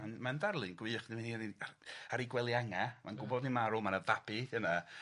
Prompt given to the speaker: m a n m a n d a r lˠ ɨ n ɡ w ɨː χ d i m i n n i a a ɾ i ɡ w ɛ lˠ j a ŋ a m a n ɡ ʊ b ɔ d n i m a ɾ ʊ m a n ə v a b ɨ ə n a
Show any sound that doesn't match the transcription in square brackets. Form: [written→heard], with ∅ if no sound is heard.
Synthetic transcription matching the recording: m a n m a n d a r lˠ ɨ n ɡ w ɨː χ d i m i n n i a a ɾ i ɡ w ɛ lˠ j a ŋ a m a n ɡ ʊ b ɔ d n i m a ɾ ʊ m a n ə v a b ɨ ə n a